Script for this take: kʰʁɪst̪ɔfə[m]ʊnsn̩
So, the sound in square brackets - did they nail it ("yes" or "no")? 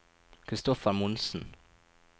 yes